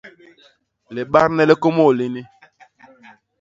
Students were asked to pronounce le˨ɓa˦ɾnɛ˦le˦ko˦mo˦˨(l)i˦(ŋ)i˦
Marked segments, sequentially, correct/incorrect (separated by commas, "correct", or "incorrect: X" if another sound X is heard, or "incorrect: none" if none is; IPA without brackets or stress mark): correct, incorrect: n